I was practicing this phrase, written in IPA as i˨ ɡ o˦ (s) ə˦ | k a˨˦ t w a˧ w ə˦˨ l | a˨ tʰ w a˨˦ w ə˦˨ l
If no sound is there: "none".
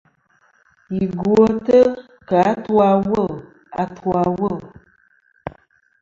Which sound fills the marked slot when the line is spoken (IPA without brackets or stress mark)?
t